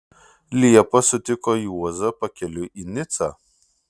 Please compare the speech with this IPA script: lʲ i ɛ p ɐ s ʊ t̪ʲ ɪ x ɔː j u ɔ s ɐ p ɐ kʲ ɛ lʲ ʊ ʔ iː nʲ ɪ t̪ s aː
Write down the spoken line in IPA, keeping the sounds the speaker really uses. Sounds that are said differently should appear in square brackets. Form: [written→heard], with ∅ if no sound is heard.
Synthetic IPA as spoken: lʲ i ɛ p ɐ s ʊ t̪ʲ ɪ [x→k] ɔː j u ɔ [s→z] ɐ p ɐ kʲ ɛ lʲ ʊ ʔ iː nʲ ɪ t̪ s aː